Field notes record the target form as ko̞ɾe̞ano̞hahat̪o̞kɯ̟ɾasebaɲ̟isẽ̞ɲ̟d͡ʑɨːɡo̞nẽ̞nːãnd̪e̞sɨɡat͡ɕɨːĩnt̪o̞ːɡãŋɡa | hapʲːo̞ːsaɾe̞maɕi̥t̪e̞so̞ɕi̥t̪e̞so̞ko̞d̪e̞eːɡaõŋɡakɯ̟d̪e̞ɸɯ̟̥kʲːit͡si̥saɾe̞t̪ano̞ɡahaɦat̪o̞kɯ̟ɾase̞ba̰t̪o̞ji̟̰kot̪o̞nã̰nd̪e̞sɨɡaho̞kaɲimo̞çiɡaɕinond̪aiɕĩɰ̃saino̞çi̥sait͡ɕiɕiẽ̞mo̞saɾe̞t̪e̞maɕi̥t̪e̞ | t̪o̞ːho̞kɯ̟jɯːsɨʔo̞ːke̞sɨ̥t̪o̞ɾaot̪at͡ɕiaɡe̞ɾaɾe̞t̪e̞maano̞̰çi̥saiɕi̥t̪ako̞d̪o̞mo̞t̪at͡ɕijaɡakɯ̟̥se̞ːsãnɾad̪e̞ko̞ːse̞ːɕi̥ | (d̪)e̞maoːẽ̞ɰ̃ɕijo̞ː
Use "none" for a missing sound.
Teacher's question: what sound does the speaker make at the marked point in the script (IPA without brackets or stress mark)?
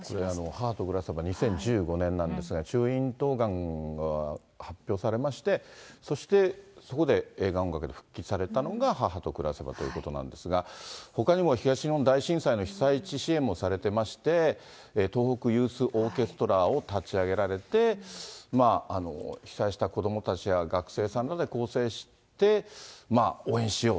t̪